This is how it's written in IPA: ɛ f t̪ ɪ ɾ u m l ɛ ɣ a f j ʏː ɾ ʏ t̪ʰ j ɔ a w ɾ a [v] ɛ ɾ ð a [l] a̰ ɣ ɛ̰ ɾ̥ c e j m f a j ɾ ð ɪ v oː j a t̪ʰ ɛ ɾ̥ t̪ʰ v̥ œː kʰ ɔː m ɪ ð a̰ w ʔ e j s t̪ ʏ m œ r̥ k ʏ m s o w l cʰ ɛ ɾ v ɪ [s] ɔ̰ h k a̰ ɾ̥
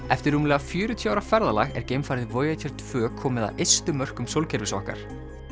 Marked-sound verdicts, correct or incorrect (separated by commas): incorrect, correct, correct